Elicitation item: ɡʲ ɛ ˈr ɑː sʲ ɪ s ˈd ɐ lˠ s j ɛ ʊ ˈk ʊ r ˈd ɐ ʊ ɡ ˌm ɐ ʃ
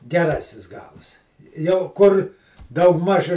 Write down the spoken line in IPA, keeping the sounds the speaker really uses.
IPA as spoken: ɡʲ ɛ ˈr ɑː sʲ ɪ s ˈɡ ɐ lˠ s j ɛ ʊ ˈk ʊ r ˈd ɐ ʊ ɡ ˌm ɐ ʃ